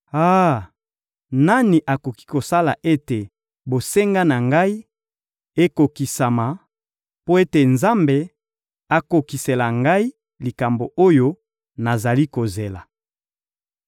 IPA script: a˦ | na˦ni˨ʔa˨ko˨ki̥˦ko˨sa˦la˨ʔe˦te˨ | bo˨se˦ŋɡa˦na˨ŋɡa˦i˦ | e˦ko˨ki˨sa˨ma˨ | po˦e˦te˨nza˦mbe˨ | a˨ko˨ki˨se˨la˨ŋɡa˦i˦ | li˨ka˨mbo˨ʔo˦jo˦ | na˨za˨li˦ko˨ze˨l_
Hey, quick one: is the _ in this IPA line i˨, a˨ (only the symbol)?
a˨